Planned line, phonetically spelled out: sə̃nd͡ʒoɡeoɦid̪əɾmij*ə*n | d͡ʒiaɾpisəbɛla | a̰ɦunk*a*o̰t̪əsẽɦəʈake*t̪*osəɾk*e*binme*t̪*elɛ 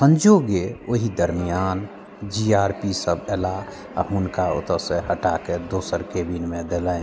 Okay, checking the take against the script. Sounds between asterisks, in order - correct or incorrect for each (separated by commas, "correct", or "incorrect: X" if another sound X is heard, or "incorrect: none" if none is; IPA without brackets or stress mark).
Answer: incorrect: a, correct, incorrect: d̪, correct, incorrect: d̪